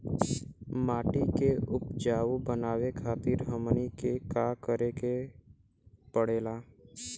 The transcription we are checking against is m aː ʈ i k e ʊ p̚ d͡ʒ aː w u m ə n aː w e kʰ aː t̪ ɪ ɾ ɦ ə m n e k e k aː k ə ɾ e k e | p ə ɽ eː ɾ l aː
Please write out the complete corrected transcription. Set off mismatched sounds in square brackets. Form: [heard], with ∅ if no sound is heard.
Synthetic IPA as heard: m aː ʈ i k e ʊ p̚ d͡ʒ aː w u [b] ə n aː w e kʰ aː t̪ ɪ ɾ ɦ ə m n [i] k e k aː k ə ɾ e k e | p ə ɽ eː [∅] l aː